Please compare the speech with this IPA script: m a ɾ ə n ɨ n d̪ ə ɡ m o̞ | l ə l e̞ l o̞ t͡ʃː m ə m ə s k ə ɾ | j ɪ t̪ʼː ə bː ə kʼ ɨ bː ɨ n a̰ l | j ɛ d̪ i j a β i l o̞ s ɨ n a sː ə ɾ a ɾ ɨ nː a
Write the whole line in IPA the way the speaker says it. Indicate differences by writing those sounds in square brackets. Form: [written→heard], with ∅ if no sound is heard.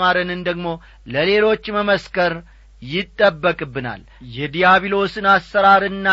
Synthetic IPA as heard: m a ɾ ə n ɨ n d̪ ə ɡ m o̞ | l ə l e̞ l o̞ t͡ʃː m ə m ə s k ə ɾ | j ɪ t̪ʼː ə bː ə kʼ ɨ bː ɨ n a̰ l | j ɛ d̪ i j a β i l o̞ s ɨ n a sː ə ɾ a ɾ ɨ nː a